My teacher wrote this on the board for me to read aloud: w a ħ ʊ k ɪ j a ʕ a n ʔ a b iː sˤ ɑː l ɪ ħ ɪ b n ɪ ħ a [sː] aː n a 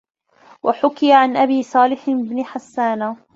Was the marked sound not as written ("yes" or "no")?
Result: no